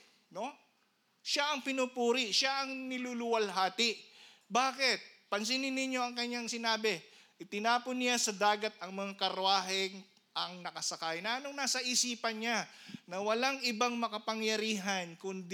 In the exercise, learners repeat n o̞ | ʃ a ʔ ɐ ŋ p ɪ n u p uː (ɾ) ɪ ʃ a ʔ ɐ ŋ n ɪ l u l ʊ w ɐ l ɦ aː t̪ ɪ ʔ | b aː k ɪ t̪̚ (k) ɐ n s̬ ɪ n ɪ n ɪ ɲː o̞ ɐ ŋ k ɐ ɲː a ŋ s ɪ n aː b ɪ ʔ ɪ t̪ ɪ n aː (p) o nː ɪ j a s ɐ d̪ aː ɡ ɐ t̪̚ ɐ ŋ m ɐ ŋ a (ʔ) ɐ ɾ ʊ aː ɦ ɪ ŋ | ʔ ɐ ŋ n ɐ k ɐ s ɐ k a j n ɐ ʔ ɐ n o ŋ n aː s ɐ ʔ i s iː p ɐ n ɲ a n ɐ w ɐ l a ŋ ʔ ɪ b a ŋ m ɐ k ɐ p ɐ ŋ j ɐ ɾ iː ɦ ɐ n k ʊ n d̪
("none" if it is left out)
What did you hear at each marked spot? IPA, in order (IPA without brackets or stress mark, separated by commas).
ɾ, p, p, k